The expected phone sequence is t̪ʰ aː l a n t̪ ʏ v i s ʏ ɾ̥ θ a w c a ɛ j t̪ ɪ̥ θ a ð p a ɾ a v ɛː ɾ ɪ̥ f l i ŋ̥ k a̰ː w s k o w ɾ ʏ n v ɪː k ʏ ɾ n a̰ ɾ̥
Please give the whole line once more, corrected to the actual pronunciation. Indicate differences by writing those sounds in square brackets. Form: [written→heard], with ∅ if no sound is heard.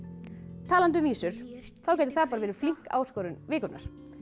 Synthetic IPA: t̪ʰ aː l a n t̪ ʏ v [i→iː] s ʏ ɾ̥ θ a w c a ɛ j t̪ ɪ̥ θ a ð p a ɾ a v ɛː ɾ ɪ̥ f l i ŋ̥ k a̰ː w s k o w ɾ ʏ n v ɪː k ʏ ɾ n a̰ ɾ̥